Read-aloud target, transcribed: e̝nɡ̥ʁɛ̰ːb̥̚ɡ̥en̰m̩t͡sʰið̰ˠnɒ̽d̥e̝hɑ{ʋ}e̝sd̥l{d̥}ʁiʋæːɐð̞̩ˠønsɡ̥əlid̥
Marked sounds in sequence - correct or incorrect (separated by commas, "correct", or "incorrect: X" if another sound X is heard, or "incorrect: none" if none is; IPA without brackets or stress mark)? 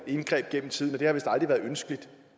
correct, correct